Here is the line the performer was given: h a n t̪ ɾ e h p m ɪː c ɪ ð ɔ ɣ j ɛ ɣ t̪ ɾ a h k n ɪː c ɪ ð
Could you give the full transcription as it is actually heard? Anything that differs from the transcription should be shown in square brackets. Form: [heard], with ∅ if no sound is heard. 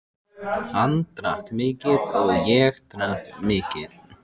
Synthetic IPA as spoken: h a n t̪ ɾ [a] h [k] m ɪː c ɪ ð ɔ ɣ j ɛ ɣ t̪ ɾ a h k [m] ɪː c ɪ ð